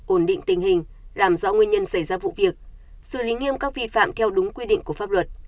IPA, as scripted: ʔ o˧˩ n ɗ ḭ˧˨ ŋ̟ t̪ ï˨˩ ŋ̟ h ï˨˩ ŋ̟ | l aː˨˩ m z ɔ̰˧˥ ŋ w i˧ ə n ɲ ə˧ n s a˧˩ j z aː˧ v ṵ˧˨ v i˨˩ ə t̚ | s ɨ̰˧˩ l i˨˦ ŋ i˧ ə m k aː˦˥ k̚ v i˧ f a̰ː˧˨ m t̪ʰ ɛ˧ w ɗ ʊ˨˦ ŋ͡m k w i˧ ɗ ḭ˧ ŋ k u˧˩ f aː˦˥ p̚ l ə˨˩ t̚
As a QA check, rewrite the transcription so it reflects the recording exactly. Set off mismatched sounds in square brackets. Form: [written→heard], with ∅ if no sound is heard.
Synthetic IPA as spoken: ʔ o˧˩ n ɗ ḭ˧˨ ŋ̟ t̪ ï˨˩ ŋ̟ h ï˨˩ ŋ̟ | l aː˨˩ m z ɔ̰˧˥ ŋ w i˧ ə n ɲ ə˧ n s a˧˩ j z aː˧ v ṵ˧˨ v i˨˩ ə [t̚→k̚] | s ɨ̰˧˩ l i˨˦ ŋ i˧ ə m k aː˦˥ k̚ v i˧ f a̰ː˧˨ m t̪ʰ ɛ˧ w ɗ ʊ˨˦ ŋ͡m k w i˧ ɗ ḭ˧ ŋ k u˧˩ f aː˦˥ p̚ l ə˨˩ t̚